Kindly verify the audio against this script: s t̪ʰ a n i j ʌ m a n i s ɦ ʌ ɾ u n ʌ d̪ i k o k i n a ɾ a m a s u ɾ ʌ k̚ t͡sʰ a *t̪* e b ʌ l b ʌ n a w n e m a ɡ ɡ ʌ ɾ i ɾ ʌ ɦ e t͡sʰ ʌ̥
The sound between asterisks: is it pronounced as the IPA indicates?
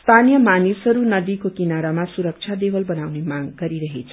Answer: no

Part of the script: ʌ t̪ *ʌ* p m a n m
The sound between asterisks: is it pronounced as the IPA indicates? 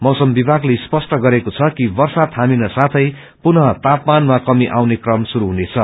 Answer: no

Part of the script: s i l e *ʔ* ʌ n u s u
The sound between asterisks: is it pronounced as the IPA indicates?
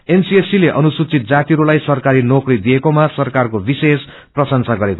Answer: yes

